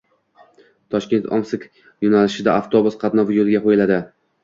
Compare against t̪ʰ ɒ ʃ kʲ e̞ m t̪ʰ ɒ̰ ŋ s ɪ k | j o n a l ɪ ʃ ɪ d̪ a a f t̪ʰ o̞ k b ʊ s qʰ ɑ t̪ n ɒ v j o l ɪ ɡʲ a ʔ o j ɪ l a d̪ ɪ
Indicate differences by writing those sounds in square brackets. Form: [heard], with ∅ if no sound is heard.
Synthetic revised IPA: t̪ʰ ɒ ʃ kʲ e̞ [n] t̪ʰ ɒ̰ [m] s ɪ k | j o n a l ɪ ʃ ɪ d̪ a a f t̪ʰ o̞ [∅] b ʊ s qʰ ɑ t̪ n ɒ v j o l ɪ ɡʲ a [q] o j ɪ l a d̪ ɪ